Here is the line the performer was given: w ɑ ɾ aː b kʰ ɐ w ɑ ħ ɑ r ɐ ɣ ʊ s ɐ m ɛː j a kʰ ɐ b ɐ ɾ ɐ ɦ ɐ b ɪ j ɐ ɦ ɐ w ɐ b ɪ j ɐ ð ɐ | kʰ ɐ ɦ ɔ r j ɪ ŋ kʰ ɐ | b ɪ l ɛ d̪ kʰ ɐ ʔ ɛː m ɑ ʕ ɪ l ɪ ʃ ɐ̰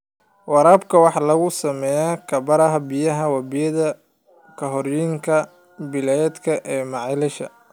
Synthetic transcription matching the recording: w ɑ ɾ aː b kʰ ɐ w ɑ ħ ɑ l ɐ ɣ ʊ s ɐ m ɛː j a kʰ ɐ b ɐ ɾ ɐ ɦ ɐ b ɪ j ɐ ɦ ɐ w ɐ b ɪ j ɐ ð ɐ | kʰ ɐ ɦ ɔ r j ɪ ŋ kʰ ɐ | b ɪ l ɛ d̪ kʰ ɐ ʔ ɛː m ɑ ʕ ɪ l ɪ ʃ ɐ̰